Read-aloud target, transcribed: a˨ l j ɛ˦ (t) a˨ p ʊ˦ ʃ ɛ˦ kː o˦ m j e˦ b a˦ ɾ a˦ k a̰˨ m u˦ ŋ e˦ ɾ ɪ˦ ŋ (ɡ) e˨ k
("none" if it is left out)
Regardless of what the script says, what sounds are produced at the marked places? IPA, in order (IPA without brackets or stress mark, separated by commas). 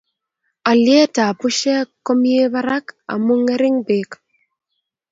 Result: t, b